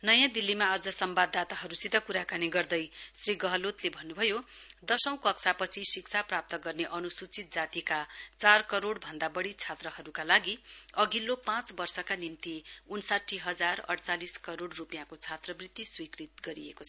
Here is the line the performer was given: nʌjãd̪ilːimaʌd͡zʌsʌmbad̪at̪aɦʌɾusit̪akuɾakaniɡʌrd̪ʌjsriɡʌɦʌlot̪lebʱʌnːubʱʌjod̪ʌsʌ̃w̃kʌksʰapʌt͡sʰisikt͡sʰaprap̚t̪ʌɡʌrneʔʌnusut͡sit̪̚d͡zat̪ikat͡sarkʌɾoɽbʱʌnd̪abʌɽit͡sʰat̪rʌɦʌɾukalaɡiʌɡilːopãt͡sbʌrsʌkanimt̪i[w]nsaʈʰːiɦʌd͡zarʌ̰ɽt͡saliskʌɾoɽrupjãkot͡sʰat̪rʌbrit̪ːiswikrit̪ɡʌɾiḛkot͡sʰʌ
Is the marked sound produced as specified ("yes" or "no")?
no